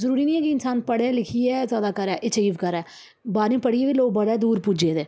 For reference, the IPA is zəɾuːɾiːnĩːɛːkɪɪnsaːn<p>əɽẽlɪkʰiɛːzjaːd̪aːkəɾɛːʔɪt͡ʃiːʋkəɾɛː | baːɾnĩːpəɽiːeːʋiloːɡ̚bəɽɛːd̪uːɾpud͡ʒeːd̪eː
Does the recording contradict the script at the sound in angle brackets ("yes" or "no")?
no